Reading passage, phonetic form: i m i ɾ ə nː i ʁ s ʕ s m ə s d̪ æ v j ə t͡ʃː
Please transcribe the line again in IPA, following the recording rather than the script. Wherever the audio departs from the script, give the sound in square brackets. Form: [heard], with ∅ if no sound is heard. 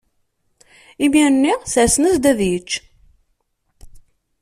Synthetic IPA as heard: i m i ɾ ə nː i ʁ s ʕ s [n] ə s d̪ æ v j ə t͡ʃː